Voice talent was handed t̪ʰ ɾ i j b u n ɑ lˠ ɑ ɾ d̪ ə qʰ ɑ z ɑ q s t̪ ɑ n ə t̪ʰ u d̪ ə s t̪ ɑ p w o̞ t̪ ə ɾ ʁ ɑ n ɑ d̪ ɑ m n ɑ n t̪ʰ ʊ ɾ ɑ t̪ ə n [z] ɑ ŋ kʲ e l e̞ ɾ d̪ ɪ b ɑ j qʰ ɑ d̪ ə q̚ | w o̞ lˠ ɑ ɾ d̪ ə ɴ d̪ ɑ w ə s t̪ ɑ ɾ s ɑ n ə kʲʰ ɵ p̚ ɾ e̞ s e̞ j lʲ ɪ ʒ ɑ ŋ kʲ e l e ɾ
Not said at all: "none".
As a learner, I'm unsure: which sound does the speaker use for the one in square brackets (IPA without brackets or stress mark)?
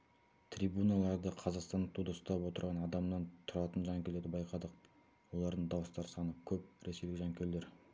ʒ